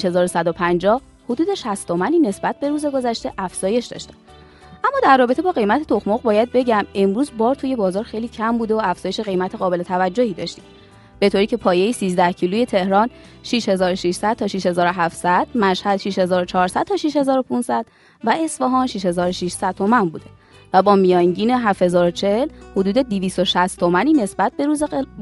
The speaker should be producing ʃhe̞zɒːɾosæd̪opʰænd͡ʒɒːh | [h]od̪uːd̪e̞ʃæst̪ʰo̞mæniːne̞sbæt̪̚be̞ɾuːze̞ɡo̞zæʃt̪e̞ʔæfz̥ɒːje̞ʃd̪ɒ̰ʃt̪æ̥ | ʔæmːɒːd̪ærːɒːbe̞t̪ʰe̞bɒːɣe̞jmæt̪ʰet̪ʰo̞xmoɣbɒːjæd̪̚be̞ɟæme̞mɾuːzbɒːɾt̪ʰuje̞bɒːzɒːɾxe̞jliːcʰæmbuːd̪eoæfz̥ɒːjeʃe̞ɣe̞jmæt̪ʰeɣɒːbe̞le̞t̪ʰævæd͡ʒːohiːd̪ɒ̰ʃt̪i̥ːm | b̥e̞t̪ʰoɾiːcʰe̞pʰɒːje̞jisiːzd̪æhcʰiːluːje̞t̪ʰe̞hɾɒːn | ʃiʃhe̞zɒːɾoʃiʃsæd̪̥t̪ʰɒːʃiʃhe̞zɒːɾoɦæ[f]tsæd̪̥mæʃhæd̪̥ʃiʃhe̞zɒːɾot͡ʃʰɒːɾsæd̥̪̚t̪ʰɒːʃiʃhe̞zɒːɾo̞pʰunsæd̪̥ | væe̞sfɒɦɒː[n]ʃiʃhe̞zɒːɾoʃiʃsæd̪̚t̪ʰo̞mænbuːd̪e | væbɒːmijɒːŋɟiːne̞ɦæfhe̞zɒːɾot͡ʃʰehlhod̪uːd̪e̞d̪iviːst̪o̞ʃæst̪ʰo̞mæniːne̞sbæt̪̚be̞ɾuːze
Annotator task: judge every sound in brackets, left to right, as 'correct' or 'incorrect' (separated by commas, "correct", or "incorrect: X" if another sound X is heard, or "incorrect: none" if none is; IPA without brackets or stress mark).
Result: correct, correct, correct